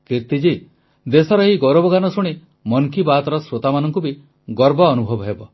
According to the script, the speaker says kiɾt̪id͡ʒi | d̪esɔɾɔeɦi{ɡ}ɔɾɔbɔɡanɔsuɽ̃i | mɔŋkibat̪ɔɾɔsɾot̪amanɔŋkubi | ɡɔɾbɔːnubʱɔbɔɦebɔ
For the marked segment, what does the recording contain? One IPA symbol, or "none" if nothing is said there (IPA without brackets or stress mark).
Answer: ɡ